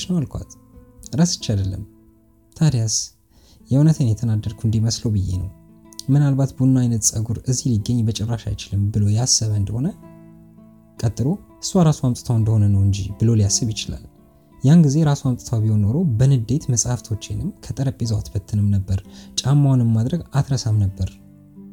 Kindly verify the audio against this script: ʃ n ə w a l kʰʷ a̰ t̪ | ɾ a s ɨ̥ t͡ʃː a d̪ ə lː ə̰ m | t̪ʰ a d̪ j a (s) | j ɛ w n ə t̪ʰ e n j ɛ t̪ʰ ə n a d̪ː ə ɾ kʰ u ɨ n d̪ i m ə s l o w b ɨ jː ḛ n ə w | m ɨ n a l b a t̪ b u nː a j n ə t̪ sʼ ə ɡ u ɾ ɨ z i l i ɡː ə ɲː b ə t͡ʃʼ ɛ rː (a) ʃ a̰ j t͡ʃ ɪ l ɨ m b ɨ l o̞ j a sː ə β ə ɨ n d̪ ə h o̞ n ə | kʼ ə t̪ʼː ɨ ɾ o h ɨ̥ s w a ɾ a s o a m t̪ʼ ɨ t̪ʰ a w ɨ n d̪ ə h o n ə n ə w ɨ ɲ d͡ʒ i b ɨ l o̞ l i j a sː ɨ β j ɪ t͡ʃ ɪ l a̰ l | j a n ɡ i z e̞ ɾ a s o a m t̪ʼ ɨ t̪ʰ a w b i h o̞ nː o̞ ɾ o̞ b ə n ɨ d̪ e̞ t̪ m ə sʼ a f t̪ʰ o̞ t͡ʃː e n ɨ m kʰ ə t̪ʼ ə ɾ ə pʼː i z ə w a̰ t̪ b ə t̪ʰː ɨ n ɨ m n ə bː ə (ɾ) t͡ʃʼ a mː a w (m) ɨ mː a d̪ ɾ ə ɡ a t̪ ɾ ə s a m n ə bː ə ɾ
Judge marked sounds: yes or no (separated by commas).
yes, yes, yes, no